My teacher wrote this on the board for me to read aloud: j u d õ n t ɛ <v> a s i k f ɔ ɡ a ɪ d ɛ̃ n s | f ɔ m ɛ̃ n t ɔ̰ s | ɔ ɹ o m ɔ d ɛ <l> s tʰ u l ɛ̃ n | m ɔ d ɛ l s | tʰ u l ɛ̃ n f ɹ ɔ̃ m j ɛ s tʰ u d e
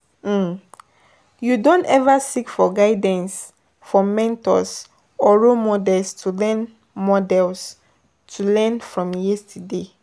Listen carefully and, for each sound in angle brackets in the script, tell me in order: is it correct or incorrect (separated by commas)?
correct, correct